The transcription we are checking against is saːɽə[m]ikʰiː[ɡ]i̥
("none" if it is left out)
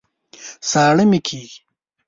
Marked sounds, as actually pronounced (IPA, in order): m, ɡ

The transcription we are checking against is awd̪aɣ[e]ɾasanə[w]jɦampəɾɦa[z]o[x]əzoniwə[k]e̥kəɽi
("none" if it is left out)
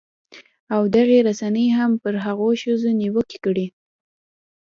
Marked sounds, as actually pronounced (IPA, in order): e, none, ɣ, ʃ, k

